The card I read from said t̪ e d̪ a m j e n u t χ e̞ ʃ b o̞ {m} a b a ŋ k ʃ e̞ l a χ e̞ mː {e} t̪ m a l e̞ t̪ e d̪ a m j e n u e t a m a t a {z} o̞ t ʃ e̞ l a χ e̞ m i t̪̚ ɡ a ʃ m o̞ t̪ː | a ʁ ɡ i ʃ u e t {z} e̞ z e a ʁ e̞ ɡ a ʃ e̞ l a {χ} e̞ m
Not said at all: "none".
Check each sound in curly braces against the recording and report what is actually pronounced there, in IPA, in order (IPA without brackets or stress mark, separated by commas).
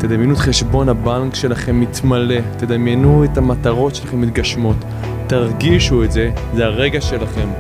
n, i, ʁ, z, χ